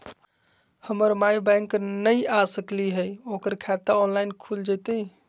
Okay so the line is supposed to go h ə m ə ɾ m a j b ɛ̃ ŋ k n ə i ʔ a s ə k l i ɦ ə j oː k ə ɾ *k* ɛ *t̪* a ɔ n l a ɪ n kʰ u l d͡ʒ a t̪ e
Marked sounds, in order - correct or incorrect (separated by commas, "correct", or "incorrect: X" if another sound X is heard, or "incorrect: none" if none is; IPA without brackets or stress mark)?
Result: incorrect: kʰ, correct